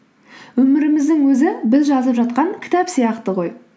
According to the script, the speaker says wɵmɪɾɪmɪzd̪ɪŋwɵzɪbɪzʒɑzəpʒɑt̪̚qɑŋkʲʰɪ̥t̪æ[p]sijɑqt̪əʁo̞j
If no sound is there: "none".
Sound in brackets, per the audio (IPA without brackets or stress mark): p